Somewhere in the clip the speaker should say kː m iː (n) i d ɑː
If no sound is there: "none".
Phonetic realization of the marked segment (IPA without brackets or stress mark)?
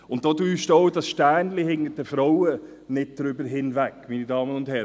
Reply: n